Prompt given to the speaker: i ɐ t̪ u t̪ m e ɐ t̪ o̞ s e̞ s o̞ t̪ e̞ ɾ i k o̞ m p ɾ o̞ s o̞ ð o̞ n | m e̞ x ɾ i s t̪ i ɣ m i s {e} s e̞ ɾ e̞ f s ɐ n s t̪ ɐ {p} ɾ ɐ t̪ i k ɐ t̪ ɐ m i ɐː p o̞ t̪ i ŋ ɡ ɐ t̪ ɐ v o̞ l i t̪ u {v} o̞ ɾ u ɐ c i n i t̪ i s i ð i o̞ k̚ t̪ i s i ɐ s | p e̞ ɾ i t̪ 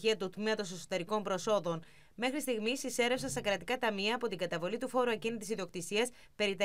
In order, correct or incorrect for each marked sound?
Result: incorrect: i, incorrect: k, incorrect: f

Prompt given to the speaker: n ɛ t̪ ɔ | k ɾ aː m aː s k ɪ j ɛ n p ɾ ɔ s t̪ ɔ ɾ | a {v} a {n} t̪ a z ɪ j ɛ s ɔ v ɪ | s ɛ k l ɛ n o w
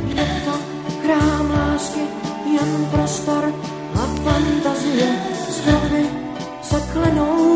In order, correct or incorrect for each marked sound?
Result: incorrect: f, correct

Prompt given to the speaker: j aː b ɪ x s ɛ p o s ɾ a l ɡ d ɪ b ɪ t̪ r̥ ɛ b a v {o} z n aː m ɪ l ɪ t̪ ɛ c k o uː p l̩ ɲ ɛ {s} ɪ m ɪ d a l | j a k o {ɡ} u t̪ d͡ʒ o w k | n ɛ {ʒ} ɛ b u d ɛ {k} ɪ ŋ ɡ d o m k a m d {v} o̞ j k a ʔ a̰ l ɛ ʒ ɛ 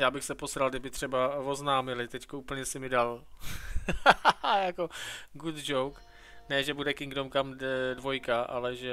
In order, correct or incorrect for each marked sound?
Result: correct, correct, correct, correct, correct, correct

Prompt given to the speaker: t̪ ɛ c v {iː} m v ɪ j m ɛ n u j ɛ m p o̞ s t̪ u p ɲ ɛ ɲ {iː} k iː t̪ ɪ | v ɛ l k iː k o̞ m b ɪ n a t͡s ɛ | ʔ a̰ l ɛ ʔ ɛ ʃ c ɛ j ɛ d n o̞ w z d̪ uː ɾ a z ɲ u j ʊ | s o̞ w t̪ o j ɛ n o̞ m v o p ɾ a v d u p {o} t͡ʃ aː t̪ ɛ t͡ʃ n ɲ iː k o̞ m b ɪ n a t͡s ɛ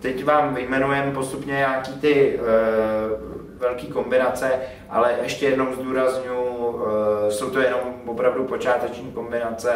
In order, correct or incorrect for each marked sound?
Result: incorrect: aː, incorrect: aː, correct

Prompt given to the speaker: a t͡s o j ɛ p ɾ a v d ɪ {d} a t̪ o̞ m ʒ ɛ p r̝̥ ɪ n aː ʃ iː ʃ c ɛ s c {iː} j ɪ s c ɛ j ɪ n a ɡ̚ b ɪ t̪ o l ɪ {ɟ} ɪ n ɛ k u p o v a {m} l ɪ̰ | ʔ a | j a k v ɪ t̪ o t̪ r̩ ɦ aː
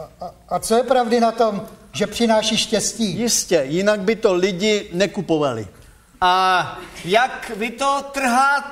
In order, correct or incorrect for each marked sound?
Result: incorrect: n, correct, correct, incorrect: none

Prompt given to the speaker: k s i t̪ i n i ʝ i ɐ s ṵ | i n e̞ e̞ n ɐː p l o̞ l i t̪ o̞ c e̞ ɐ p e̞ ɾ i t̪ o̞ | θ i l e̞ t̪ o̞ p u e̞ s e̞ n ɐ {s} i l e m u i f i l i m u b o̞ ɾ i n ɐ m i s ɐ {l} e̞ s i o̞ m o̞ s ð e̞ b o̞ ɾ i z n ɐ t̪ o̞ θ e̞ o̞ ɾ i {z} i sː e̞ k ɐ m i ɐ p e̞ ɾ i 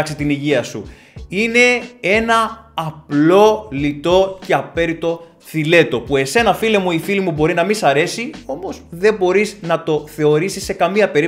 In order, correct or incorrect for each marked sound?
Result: incorrect: f, incorrect: ɾ, incorrect: s

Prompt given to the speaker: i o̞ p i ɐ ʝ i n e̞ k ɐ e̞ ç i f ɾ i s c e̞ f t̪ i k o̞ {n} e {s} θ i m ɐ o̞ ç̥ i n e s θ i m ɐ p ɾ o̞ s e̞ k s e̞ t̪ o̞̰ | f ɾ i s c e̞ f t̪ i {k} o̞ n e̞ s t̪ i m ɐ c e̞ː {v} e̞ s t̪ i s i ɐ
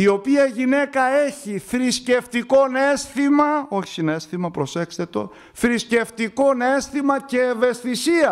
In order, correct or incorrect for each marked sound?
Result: correct, correct, correct, correct

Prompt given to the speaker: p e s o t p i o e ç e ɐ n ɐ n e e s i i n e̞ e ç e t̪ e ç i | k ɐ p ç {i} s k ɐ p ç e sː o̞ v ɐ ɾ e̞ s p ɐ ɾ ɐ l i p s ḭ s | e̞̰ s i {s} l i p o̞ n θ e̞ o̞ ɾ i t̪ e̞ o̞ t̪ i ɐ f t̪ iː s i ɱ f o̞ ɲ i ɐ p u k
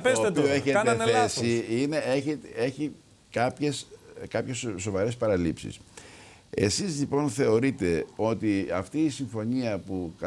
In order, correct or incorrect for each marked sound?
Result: incorrect: e, incorrect: z

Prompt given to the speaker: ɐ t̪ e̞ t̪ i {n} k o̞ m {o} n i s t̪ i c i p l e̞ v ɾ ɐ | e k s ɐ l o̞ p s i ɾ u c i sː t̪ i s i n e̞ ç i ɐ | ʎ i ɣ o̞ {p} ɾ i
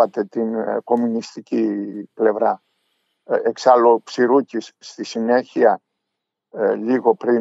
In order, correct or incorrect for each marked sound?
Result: correct, incorrect: u, correct

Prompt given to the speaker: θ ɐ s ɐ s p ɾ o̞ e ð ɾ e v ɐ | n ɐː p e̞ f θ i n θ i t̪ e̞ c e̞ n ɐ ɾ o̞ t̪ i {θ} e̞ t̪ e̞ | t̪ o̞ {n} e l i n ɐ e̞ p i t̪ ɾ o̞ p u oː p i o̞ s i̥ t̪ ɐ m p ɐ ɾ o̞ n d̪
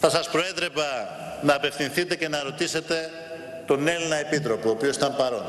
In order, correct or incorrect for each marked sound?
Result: incorrect: s, correct

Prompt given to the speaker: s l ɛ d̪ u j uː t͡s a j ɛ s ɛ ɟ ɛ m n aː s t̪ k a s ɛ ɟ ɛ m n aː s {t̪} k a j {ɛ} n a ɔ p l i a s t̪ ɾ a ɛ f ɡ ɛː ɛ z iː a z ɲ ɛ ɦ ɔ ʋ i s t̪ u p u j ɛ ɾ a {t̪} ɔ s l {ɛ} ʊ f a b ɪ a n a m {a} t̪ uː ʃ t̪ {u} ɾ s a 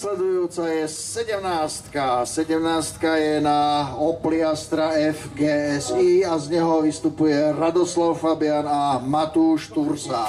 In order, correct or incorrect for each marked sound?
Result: correct, correct, incorrect: d̪, incorrect: a, correct, correct

